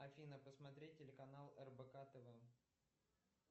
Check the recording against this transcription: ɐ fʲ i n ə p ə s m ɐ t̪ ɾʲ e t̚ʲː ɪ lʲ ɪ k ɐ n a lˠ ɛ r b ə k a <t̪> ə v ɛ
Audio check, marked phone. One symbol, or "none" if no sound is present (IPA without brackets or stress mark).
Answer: t̪